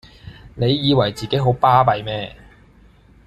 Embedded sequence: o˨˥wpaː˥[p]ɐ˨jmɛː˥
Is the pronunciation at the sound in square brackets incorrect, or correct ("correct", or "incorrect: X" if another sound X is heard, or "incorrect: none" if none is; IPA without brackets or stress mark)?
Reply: correct